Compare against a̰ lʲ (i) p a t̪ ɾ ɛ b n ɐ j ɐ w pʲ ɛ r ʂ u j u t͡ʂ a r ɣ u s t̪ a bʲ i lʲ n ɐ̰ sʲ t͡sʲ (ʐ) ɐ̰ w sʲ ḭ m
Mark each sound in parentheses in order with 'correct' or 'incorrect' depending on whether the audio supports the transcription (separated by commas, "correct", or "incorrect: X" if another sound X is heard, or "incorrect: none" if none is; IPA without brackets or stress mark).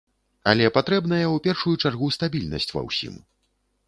incorrect: ɛ, incorrect: v